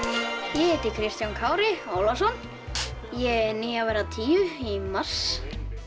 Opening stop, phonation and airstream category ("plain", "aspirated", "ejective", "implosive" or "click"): plain